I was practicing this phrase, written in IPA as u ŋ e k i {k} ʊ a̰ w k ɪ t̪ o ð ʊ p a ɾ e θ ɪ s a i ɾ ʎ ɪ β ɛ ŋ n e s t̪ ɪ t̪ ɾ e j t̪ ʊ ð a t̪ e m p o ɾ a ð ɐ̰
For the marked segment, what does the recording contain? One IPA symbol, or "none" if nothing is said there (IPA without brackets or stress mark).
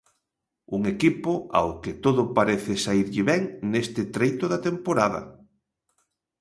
p